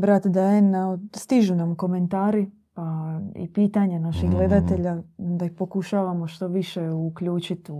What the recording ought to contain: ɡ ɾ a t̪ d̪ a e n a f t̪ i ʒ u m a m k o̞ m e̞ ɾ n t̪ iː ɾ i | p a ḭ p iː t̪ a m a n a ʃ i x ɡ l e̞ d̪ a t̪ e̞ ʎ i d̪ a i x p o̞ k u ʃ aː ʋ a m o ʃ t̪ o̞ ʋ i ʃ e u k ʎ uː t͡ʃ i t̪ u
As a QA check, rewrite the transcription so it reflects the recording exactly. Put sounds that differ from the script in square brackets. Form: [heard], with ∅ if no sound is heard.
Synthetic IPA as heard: [b] ɾ a t̪ d̪ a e n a [s] t̪ i ʒ u [n] a m k o̞ m e̞ [∅] n t̪ [aː] ɾ i | p a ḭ p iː t̪ a [ɲ] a n a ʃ i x ɡ l e̞ d̪ a t̪ e̞ ʎ [a] d̪ a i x p o̞ k u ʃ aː ʋ a m o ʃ t̪ o̞ ʋ i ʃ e u k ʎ uː t͡ʃ i t̪ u